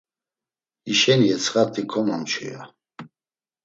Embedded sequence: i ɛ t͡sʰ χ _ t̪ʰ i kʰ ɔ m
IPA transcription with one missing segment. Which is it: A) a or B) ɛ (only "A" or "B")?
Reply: A